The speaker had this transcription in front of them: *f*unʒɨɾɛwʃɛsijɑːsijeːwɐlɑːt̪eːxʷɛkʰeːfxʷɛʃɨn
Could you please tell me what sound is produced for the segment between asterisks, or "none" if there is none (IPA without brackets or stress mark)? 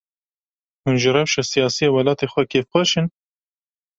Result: h